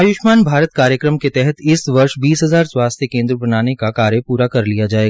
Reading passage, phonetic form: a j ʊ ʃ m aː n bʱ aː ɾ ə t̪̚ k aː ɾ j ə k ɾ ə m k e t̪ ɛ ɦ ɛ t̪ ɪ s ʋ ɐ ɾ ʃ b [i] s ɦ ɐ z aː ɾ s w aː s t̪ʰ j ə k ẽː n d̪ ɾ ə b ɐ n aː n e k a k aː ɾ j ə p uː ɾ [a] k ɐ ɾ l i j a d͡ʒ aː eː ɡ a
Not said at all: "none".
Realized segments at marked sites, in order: iː, a

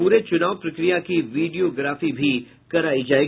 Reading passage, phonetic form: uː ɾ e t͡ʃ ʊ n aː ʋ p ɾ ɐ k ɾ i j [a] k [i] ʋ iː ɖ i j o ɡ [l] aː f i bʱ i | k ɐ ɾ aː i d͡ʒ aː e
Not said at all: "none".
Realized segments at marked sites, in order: a, i, ɾ

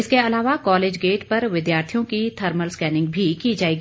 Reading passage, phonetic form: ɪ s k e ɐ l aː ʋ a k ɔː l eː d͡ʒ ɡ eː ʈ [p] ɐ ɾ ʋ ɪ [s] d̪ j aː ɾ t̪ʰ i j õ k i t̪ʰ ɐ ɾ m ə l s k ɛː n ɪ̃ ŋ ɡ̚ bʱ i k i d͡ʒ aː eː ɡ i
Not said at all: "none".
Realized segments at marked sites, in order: p, none

